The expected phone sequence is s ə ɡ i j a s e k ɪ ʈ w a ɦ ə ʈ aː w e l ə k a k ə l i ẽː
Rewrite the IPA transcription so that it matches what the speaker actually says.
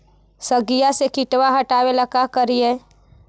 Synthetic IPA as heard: s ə ɡ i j a s e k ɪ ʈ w a ɦ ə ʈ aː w e l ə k a k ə ɾ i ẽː